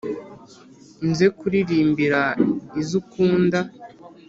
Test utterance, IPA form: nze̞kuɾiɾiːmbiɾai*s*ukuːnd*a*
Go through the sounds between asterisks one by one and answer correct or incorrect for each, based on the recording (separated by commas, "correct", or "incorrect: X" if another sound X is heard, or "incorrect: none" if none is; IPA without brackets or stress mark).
incorrect: z, correct